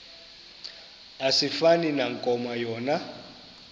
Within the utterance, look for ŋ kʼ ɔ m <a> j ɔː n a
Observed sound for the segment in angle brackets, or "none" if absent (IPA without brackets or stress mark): a